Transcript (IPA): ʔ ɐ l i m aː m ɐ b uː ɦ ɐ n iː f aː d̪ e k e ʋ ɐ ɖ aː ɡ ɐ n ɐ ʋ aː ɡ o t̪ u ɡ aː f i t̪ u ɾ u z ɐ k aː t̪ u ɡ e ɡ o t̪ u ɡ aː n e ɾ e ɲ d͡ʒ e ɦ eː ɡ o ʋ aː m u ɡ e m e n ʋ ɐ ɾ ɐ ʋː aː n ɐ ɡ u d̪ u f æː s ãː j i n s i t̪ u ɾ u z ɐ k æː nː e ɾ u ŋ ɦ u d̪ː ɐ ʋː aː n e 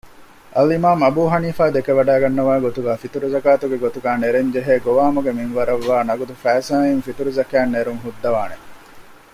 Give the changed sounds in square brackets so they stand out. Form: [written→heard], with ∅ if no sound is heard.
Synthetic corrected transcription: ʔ ɐ l i m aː m ɐ b uː ɦ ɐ n iː f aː d̪ e k e ʋ ɐ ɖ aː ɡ ɐ [n→nː] ɐ ʋ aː ɡ o t̪ u ɡ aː f i t̪ u ɾ u z ɐ k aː t̪ u ɡ e ɡ o t̪ u ɡ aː n e ɾ e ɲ d͡ʒ e ɦ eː ɡ o ʋ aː m u ɡ e m [e→i] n ʋ ɐ ɾ ɐ ʋː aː n ɐ ɡ u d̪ u f æː s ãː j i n [s→f] i t̪ u ɾ u z ɐ k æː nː e ɾ u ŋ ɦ u d̪ː ɐ [ʋː→ʋ] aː n e